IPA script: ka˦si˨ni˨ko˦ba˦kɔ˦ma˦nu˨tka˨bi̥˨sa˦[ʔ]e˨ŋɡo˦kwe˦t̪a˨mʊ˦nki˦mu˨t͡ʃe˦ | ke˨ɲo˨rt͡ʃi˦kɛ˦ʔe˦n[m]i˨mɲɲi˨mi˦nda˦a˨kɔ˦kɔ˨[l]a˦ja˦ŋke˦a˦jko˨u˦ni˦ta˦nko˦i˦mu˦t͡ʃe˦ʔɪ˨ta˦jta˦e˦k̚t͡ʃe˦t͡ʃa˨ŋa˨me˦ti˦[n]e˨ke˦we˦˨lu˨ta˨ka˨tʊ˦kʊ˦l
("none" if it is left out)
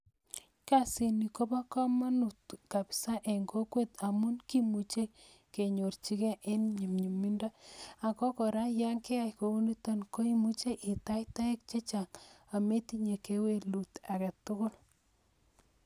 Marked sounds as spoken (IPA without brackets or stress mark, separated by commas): ʔ, ɲ, ɾ, ɲ